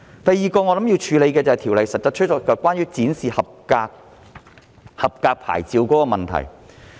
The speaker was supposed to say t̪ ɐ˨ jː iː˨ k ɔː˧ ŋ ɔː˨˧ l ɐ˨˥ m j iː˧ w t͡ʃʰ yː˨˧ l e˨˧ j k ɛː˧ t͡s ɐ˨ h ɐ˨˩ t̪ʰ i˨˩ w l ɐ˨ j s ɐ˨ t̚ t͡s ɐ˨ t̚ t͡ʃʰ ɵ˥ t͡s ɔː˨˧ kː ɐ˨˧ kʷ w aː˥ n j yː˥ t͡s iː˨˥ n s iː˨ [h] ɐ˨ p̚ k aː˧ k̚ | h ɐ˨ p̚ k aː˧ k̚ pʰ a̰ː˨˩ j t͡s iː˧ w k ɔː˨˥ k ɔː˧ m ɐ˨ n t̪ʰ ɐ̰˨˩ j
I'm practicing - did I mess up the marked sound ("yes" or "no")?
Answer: no